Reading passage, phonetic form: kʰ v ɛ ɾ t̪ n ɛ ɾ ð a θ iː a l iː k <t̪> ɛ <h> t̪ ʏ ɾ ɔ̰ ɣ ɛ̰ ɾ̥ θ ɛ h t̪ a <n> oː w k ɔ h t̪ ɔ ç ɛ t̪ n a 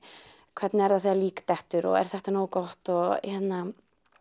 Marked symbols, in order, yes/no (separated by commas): yes, yes, yes